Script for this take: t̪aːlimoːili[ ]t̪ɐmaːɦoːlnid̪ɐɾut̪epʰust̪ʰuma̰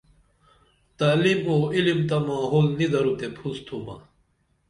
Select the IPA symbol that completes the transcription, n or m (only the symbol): m